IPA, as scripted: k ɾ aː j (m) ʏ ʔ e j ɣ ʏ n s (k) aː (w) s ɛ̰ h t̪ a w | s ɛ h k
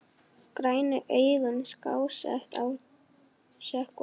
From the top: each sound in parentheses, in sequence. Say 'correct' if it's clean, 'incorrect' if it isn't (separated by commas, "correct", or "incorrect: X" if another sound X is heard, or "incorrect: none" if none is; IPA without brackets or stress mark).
incorrect: n, correct, correct